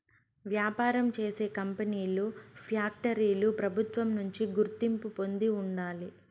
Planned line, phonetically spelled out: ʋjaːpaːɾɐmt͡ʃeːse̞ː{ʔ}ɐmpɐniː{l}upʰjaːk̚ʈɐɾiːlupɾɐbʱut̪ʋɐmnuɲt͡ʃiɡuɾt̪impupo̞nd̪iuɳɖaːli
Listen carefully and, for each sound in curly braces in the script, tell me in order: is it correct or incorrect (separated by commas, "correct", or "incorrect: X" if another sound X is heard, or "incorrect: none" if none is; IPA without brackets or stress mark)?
incorrect: k, correct